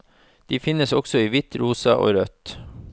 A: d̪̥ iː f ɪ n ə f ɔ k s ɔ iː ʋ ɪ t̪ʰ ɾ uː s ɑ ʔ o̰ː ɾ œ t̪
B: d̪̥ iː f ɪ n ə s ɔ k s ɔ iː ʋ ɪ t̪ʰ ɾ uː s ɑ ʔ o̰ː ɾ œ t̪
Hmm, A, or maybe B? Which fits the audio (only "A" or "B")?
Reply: B